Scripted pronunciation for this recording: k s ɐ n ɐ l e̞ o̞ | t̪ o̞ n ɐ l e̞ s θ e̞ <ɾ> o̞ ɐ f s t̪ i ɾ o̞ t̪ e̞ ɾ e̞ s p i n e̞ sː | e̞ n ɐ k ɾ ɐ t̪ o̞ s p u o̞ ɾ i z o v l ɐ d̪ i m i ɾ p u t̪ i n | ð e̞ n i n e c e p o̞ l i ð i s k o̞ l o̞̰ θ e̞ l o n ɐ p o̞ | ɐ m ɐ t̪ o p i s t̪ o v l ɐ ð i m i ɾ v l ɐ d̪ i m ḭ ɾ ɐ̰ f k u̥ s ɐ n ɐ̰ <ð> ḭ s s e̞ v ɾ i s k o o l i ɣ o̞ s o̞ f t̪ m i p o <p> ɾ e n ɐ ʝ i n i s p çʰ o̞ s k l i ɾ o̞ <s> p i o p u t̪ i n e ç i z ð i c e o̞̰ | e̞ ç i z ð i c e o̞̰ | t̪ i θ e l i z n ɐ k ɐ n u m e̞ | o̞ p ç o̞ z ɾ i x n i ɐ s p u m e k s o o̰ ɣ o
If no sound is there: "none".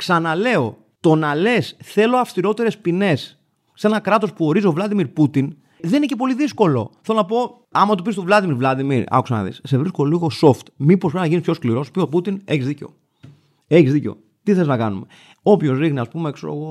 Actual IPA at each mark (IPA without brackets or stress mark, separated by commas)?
l, ð, p, s